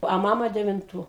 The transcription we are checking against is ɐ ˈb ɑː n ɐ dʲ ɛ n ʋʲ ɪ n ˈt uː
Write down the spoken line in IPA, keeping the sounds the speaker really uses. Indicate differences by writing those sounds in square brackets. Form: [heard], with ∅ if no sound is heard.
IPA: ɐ [ˈm] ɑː [m] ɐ dʲ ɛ [∅] ʋʲ ɪ n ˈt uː